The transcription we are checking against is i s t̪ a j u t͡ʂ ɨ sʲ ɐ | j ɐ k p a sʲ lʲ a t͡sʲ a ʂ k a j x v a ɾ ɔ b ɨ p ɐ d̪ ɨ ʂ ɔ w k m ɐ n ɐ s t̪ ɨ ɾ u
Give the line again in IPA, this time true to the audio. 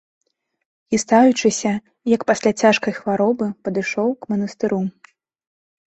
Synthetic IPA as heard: i s t̪ a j u t͡ʂ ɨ sʲ ɐ | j ɐ k p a sʲ lʲ a t͡sʲ a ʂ k ɐ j x v a ɾ ɔ b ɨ p ɐ d̪ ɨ ʂ ɔ w k m ɐ n ɐ s t̪ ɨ ɾ u